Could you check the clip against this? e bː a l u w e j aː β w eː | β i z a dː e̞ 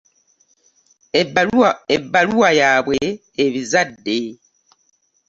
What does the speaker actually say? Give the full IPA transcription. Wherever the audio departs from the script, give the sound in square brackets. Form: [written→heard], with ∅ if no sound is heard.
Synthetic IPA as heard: e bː a l u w [e→a] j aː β w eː | β i z a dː e̞